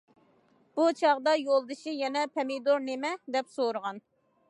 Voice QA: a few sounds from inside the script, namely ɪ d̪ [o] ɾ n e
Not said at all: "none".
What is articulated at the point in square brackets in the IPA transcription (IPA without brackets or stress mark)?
o